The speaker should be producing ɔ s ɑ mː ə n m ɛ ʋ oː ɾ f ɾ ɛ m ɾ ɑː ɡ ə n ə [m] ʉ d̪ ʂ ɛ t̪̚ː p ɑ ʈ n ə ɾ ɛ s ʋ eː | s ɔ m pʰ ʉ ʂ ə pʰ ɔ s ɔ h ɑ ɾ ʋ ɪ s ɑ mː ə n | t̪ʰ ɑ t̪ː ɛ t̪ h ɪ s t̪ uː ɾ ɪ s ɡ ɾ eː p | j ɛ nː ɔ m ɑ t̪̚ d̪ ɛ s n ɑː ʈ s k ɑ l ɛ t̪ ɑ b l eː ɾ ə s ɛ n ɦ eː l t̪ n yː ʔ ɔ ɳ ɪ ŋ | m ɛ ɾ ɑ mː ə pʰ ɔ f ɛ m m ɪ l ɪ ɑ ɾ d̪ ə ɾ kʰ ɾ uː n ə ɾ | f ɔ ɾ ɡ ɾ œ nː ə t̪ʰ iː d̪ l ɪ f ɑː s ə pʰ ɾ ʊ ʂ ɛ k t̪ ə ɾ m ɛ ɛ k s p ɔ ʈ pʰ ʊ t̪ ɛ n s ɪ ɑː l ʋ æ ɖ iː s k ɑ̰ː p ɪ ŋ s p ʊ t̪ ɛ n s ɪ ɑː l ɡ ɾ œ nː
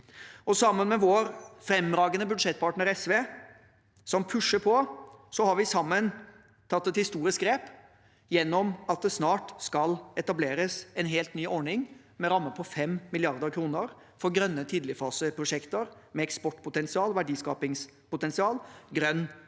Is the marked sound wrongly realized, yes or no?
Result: yes